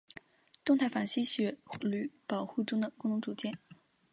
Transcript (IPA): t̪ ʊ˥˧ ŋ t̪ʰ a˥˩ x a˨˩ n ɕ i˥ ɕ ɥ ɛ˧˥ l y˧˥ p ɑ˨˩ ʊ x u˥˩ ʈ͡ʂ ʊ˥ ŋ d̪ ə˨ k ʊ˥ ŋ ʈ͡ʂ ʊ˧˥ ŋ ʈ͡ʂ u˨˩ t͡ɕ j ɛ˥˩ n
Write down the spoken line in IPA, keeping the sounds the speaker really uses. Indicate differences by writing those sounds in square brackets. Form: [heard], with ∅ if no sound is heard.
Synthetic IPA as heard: t̪ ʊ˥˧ ŋ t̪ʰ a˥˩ [f] a˨˩ n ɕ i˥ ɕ ɥ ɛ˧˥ l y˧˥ p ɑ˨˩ ʊ x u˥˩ ʈ͡ʂ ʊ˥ ŋ d̪ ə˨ k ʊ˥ ŋ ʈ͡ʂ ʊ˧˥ ŋ ʈ͡ʂ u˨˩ t͡ɕ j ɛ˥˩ n